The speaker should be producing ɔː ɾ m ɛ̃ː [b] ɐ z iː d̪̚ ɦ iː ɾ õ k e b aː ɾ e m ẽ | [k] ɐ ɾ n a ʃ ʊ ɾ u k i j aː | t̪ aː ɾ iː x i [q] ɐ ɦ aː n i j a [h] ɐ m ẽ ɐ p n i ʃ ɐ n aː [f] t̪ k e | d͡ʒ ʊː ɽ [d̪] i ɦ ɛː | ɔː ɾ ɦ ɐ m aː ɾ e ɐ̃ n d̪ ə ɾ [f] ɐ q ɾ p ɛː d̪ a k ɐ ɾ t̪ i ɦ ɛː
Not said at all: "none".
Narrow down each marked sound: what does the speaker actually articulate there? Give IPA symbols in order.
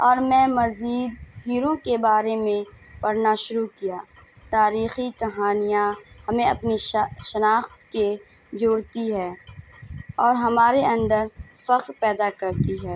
m, p, k, h, x, t̪, f

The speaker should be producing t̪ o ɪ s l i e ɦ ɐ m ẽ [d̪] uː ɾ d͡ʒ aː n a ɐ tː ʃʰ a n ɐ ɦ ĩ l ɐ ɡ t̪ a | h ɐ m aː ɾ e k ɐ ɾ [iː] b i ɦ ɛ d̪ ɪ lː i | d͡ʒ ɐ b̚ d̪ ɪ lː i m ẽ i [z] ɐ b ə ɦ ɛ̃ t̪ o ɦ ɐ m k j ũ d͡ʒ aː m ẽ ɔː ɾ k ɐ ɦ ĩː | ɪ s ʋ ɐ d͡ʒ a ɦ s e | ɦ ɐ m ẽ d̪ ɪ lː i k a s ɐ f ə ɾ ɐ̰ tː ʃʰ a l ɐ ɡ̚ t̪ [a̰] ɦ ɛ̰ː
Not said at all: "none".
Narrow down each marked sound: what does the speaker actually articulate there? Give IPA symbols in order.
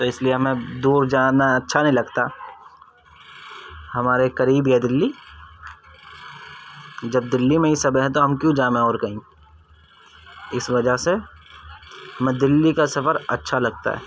d̪, iː, s, a̰

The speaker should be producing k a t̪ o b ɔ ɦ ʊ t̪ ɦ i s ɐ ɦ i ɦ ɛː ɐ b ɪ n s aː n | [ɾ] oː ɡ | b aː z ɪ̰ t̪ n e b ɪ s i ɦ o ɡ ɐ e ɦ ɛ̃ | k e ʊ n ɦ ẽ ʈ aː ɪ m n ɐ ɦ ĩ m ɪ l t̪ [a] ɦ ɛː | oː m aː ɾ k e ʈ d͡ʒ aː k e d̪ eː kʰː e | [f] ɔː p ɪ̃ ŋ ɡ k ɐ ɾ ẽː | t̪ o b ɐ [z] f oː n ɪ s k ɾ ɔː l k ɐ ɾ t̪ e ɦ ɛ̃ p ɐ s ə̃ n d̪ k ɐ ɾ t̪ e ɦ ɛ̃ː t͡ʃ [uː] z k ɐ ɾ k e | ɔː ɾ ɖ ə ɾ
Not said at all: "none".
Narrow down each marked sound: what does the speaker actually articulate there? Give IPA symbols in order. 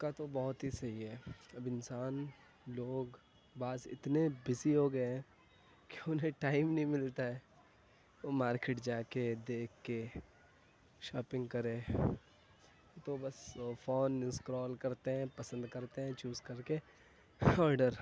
l, a, ʃ, s, uː

